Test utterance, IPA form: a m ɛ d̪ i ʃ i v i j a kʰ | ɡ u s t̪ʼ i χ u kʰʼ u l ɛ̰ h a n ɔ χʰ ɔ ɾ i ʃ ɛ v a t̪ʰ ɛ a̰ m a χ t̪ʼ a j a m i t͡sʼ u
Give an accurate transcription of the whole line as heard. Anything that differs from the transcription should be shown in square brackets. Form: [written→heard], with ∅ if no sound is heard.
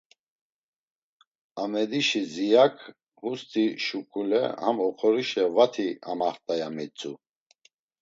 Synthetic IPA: a m ɛ d̪ i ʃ i [v→z] i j a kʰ | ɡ u s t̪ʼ i [χ→ʃ] u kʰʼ u l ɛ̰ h a [n→m] ɔ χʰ ɔ ɾ i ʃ ɛ v a t̪ʰ [ɛ→i] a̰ m a χ t̪ʼ a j a m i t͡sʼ u